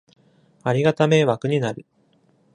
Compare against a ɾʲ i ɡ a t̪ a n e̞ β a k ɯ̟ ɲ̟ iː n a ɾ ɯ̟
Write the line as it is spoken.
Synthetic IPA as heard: a ɾʲ i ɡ a t̪ a m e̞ β a k ɯ̟ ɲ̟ i n a ɾ ɯ̟